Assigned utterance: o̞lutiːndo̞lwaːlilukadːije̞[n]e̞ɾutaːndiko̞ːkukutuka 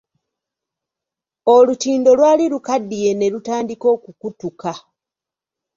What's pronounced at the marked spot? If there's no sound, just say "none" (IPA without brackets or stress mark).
n